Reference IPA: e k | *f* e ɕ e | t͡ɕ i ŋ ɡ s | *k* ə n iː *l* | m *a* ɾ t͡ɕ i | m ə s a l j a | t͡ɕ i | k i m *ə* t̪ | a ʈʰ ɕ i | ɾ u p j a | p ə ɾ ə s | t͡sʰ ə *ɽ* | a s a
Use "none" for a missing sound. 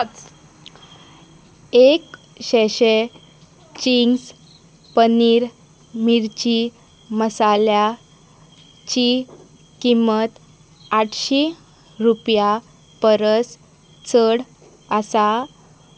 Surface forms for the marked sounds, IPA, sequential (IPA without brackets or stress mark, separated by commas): ɕ, p, ɾ, i, ə, ɽ